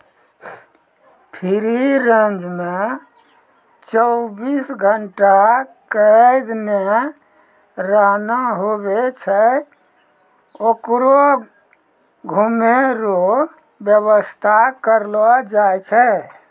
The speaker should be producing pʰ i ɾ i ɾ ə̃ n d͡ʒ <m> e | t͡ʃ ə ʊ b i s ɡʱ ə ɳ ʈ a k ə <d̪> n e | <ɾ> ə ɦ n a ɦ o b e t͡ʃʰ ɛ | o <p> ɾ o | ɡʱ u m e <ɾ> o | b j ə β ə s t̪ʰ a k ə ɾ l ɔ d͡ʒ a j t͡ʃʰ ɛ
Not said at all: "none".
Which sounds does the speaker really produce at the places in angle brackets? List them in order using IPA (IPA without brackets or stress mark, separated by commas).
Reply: m, d̪, ɾ, k, ɾ